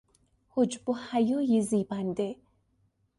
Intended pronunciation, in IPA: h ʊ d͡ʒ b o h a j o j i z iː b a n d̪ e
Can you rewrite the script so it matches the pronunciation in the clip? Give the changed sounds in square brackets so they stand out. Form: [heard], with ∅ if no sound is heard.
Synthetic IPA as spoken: h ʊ d͡ʒ b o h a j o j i z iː b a n d̪ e